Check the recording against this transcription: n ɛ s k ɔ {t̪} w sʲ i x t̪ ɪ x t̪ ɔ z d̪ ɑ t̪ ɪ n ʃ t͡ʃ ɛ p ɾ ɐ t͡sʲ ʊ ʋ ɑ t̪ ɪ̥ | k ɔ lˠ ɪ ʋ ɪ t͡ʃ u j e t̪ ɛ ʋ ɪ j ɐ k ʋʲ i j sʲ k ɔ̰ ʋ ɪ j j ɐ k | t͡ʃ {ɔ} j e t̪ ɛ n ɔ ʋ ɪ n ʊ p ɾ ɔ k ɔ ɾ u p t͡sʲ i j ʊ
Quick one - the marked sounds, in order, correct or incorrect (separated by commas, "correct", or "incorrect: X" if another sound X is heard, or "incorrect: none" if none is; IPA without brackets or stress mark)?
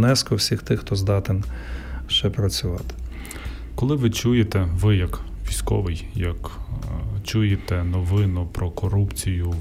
incorrect: none, incorrect: u